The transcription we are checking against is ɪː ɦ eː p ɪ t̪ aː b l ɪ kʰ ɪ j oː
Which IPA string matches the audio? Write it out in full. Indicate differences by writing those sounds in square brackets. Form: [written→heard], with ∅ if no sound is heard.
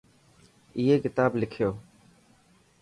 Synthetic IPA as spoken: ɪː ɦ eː [p→k] ɪ t̪ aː b l ɪ kʰ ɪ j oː